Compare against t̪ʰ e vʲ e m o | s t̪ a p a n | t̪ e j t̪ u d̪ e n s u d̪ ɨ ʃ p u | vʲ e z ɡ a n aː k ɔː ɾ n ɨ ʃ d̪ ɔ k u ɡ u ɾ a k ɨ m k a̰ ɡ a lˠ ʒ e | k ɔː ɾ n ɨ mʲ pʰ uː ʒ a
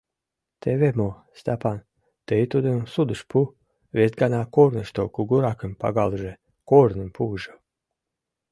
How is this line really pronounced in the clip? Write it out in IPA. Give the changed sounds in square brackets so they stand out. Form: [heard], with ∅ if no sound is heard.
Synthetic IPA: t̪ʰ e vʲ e m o | s t̪ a p a n | t̪ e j t̪ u d̪ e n s u d̪ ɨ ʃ p u | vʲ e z ɡ a n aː k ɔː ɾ n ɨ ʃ [t̪] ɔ k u ɡ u ɾ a k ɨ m [p] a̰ ɡ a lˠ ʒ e | k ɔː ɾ n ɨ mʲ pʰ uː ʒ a